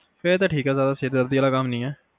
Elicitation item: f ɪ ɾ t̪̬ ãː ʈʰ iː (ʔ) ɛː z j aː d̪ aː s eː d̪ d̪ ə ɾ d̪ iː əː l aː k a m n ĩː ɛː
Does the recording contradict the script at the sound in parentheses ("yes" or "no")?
yes